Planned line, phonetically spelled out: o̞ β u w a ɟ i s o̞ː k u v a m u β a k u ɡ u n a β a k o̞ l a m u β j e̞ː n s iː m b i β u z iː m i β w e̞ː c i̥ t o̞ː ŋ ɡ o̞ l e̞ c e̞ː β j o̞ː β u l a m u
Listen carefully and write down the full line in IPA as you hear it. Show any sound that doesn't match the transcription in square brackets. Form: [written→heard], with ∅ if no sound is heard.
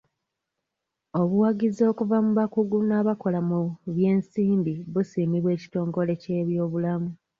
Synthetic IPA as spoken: o̞ β u w a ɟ i [s→z] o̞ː k u v a m u β a k u ɡ u n a β a k o̞ l a m u β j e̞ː n s iː m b i β u [z→s] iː m i β w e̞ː c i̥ t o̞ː ŋ ɡ o̞ l e̞ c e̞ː β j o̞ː β u l a m u